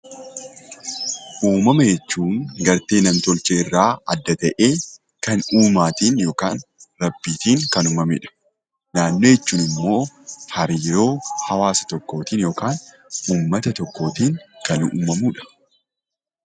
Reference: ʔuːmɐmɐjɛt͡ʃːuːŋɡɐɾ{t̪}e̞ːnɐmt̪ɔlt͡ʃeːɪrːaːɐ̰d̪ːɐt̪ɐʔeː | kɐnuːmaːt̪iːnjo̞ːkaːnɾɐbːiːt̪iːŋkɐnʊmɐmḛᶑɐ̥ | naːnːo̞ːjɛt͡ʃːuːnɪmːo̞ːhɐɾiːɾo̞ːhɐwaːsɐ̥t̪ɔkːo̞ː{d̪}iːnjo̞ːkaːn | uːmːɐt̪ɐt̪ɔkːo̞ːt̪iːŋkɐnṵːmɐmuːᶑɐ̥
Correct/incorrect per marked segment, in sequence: correct, incorrect: t̪

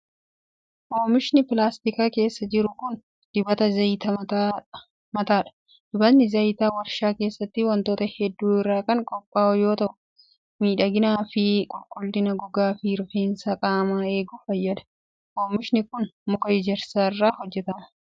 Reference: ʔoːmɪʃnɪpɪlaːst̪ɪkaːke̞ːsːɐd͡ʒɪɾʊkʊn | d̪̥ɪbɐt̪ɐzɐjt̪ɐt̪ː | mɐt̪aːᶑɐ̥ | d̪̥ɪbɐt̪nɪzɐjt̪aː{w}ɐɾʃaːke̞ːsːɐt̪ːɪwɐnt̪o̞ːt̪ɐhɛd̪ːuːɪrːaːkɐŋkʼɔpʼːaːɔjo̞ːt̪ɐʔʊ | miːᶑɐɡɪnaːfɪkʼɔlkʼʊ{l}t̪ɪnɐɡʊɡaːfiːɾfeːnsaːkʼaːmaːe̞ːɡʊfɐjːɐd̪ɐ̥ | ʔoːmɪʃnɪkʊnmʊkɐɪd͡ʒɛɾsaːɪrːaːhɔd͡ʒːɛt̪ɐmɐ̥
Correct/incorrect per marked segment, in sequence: correct, correct

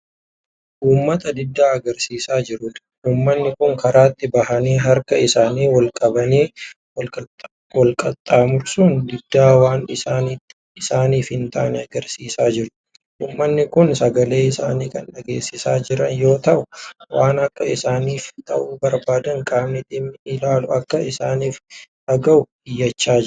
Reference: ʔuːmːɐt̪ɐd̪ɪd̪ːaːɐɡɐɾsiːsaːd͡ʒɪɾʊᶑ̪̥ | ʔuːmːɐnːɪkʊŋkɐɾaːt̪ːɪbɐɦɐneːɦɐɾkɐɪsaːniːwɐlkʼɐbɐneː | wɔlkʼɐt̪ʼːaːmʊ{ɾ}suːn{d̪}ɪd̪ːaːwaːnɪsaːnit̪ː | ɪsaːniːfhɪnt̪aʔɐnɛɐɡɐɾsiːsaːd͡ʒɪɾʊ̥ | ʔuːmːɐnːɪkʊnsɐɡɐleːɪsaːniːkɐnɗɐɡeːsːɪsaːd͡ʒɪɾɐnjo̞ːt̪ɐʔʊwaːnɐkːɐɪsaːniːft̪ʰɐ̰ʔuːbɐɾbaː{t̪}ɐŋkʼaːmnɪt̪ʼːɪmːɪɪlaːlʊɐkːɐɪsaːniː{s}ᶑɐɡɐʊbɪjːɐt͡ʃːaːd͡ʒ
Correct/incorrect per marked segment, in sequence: correct, correct, incorrect: d̪, incorrect: f

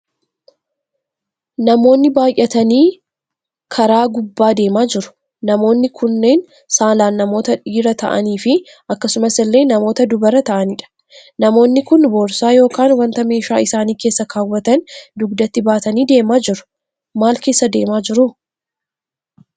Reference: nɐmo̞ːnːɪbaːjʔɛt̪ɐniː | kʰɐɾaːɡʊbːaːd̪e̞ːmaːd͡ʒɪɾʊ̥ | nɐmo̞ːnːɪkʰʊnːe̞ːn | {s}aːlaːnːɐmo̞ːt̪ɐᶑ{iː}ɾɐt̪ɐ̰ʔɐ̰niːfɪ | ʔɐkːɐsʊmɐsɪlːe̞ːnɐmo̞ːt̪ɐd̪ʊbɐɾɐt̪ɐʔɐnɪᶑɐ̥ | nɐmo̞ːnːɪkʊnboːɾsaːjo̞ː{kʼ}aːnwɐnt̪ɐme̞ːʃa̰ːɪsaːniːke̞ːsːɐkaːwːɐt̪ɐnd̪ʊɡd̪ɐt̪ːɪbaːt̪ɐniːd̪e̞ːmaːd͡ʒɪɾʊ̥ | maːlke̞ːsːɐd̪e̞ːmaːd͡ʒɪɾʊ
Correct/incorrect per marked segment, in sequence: correct, correct, incorrect: k

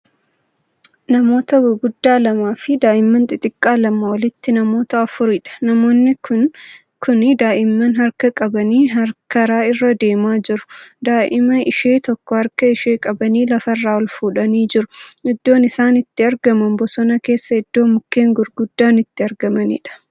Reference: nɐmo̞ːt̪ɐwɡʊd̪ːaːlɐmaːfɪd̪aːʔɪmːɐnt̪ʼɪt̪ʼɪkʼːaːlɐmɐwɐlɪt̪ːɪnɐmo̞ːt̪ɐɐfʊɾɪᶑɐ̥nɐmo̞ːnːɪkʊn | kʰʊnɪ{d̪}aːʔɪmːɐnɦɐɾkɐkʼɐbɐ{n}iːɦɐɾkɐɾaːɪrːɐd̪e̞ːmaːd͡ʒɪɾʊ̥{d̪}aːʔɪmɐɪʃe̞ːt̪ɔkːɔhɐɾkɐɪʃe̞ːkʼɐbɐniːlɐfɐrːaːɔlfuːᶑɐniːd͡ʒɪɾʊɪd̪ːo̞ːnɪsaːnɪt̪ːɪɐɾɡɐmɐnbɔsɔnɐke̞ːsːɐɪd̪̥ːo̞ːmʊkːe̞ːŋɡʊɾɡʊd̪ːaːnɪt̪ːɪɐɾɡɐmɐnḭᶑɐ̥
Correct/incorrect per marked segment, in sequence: correct, correct, correct

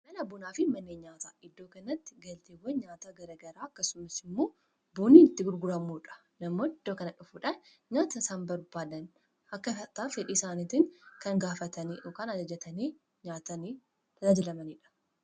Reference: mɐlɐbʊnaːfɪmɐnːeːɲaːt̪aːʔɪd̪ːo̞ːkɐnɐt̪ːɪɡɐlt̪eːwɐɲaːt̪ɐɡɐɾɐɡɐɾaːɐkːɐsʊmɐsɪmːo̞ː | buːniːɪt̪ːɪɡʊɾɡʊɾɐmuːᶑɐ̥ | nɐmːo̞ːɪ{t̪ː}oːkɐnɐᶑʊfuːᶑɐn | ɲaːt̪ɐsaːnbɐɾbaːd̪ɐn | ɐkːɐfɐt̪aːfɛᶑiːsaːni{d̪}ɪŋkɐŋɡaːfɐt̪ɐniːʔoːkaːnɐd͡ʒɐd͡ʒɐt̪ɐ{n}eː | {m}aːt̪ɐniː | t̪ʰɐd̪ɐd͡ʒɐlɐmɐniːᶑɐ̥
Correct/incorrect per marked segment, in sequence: incorrect: d̪ː, incorrect: t̪, correct, incorrect: ɲ

